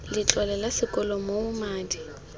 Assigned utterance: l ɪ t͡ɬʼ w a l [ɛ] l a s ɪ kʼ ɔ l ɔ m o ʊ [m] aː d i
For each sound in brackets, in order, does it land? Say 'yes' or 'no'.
yes, yes

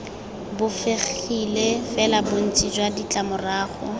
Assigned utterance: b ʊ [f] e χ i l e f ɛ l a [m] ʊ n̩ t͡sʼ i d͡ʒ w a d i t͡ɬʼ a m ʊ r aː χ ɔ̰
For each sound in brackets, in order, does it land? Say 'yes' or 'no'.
yes, no

